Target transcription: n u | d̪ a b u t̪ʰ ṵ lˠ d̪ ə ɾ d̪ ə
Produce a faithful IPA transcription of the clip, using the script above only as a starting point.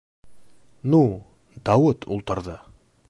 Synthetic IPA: n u | d̪ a w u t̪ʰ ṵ lˠ t̪ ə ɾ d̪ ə